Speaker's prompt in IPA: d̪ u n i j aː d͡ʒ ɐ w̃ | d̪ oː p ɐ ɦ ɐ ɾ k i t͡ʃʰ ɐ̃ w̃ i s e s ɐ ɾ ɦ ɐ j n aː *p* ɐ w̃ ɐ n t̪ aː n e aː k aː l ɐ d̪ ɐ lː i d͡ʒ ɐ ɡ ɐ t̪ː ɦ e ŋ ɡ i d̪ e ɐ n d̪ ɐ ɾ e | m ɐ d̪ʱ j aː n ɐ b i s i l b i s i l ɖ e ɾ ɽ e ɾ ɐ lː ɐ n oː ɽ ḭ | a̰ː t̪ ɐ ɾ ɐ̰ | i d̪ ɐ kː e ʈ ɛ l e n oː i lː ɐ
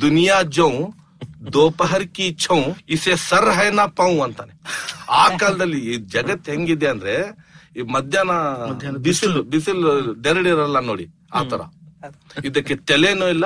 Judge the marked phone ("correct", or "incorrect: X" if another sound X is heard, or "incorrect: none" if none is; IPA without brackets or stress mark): correct